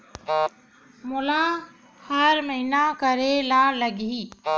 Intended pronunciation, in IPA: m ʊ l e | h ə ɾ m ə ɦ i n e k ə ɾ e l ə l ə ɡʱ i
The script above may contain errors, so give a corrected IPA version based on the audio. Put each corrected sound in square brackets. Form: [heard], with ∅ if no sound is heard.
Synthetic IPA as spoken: m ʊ l [a] | h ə ɾ m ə ɦ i n [a] k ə ɾ e l [a] l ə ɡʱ i